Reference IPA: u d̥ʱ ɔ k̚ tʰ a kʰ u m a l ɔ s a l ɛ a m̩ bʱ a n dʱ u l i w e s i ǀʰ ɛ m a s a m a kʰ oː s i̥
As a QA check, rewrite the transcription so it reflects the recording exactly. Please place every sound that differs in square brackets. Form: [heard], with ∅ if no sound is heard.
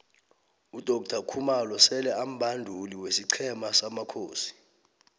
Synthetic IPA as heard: u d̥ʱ ɔ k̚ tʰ a kʰ u m a l ɔ s [ɛ] l ɛ a m̩ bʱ a n dʱ u l i w e s i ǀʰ ɛ m a s a m a kʰ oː s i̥

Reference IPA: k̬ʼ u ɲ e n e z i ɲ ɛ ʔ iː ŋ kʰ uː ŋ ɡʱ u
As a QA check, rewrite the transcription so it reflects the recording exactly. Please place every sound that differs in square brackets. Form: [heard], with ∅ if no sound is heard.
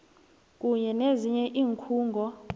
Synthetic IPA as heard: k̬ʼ u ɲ [ɛ] n e z i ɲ ɛ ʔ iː ŋ kʰ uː ŋ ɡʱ [ɔ]

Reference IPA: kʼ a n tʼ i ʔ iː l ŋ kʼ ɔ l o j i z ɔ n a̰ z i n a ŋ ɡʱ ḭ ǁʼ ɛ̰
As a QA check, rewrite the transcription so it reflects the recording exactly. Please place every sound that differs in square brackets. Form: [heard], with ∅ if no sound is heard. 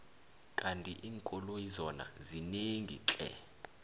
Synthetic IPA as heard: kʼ a n tʼ i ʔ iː [∅] ŋ kʼ ɔ l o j i z ɔ n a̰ z i n [e] ŋ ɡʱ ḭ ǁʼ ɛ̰

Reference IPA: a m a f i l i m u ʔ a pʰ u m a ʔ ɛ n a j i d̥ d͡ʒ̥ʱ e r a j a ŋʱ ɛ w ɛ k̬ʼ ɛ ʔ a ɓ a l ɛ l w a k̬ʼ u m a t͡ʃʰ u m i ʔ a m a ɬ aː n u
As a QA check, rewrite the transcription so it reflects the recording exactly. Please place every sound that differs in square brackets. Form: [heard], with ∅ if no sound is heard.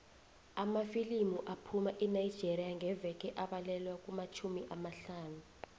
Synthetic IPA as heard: a m a f i l i m u ʔ a pʰ u m a ʔ ɛ n a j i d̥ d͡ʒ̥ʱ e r [i] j a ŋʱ ɛ [v] ɛ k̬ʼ ɛ ʔ a ɓ a l ɛ l w a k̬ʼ u m a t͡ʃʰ u m i ʔ a m a ɬ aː n u

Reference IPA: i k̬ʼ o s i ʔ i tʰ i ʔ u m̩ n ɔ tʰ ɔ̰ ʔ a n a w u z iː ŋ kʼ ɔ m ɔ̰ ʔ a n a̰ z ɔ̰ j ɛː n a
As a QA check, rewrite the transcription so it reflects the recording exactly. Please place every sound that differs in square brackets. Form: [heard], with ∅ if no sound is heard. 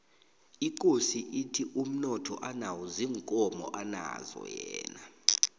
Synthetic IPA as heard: i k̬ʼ o s i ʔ i tʰ i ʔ u m̩ n ɔ tʰ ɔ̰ ʔ a n a w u z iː ŋ kʼ ɔ m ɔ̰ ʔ a n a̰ z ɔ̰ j ɛː n a

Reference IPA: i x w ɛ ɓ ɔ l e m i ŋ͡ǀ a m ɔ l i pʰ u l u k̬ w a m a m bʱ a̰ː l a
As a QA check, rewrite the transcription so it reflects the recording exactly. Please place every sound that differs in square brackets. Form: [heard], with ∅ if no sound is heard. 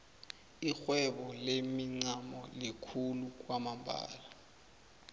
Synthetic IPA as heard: i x w ɛ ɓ ɔ l e m i ŋ͡ǀ a m ɔ l i [kʰ] u l u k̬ w a m a m bʱ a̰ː l a

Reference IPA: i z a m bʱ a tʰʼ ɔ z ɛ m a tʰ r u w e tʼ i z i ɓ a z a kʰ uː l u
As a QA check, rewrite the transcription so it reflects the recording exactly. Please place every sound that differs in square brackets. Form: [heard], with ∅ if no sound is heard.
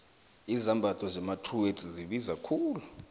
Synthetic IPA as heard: i z a m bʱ a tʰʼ ɔ z ɛ m a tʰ r u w e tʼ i z i ɓ [i] z a kʰ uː l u

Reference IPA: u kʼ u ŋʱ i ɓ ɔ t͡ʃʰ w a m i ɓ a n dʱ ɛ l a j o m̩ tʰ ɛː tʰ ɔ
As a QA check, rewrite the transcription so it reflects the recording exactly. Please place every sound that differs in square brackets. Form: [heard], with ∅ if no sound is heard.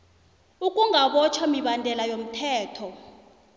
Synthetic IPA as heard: u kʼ u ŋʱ [a] ɓ ɔ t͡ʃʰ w a m i ɓ a n dʱ ɛ l a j o m̩ tʰ ɛː tʰ ɔ

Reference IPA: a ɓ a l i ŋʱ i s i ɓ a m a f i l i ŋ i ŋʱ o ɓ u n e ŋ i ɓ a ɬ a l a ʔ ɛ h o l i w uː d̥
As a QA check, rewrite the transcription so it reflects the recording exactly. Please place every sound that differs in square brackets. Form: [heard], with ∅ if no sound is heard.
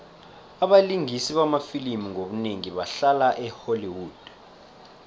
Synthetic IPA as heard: a ɓ a l i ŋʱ i s i ɓ a m a f i l i [m] i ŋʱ o ɓ u n e ŋ i ɓ a ɬ a l a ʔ ɛ h o l i w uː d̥

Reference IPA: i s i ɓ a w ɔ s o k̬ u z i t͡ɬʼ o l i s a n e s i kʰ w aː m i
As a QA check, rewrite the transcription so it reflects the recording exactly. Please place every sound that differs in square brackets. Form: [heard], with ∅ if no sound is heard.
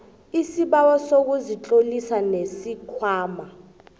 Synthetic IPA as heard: i s i ɓ a w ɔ s o k̬ u z i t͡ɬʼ o l i s a n e s i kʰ w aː m [a]

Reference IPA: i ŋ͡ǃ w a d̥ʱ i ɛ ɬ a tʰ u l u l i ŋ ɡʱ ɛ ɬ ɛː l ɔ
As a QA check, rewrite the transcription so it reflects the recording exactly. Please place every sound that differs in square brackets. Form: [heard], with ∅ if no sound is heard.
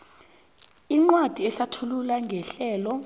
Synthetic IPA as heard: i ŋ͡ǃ w a d̥ʱ i ɛ ɬ a tʰ u l u l [a] ŋ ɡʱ ɛ ɬ ɛː l ɔ

